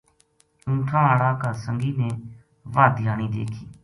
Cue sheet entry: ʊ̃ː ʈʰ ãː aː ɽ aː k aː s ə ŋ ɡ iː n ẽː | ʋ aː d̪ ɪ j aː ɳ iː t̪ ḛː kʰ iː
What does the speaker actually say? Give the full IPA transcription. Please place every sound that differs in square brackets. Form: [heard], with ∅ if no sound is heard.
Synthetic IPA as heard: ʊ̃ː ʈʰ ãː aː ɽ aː k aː s ə ŋ ɡ iː n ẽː | ʋ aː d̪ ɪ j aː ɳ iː [d̪] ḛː kʰ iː